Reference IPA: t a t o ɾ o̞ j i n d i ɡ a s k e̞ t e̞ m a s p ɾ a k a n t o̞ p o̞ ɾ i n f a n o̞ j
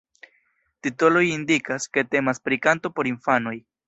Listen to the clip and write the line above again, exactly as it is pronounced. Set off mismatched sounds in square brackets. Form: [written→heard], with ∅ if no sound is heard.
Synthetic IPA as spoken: t [a→i] t o [ɾ→l] o̞ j i n d i [ɡ→k] a s k e̞ t e̞ m a s p ɾ [a→i] k a n t o̞ p o̞ ɾ i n f a n o̞ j